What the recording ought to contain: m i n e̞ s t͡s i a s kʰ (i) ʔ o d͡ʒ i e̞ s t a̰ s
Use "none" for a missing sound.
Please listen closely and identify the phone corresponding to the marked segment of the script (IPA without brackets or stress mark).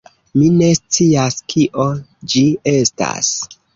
i